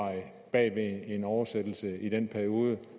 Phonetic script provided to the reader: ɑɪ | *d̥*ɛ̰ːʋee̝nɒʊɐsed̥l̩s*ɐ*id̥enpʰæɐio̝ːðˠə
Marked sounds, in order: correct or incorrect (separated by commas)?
incorrect, incorrect